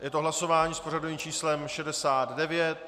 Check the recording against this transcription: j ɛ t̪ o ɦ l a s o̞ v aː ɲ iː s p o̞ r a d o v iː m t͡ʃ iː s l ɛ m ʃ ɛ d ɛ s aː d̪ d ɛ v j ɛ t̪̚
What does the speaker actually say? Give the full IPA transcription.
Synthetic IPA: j ɛ t̪ o ɦ l a s o̞ v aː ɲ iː s p o̞ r a d o v iː m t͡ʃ iː s l ɛ m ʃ ɛ d ɛ s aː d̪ d ɛ v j ɛ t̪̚